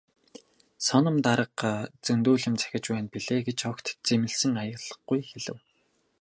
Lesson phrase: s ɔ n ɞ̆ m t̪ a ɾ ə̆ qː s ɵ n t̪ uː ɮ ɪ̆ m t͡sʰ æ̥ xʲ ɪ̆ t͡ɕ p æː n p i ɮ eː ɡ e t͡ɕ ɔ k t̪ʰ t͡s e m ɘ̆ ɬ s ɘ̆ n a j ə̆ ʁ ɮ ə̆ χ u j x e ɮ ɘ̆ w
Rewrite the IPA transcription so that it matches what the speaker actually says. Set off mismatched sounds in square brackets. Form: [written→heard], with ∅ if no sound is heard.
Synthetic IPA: s ɔ n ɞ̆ m t̪ a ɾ ə̆ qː [s→t͡s] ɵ n t̪ uː ɮ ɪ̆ m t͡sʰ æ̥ xʲ ɪ̆ t͡ɕ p æː n p i ɮ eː ɡ e t͡ɕ ɔ k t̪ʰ t͡s e m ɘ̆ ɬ s ɘ̆ [n→ŋ] a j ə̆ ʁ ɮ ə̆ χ u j x e ɮ ɘ̆ w